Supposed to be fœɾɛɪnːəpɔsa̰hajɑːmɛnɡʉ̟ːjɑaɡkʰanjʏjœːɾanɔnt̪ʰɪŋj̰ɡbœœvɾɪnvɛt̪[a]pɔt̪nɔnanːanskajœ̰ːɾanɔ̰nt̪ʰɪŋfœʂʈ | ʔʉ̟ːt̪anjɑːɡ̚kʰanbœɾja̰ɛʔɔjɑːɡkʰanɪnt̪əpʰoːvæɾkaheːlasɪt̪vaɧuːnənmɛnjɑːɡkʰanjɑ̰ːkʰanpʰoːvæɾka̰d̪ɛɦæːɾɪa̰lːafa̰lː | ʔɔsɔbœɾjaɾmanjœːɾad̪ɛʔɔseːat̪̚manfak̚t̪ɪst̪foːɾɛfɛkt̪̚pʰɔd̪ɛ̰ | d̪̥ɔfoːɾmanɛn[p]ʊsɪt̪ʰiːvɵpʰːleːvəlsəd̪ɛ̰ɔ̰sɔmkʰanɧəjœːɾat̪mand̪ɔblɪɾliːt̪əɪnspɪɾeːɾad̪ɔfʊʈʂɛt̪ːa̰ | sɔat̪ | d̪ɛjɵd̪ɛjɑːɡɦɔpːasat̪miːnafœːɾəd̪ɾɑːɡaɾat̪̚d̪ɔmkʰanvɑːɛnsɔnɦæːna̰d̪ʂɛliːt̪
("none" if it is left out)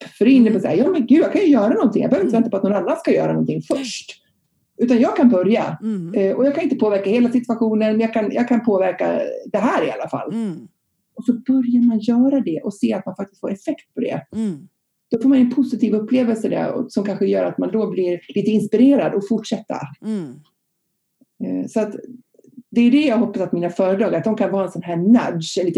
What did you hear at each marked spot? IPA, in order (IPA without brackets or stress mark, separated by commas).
a, pʰ